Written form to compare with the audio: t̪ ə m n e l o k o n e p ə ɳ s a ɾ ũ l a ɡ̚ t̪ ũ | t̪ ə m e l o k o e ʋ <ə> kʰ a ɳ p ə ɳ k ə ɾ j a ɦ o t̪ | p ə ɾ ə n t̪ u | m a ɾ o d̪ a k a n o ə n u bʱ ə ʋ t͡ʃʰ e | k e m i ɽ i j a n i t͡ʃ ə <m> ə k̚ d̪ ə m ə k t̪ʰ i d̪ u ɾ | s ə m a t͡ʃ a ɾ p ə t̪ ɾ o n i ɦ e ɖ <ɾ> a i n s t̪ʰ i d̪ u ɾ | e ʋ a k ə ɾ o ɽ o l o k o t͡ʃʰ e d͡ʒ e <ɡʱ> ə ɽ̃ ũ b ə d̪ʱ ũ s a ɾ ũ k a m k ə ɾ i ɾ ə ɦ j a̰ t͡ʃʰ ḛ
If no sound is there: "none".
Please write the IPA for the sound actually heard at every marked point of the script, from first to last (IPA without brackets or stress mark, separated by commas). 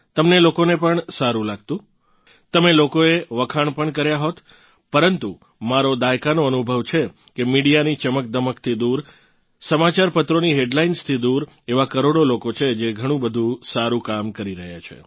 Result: ə, m, l, ɡʱ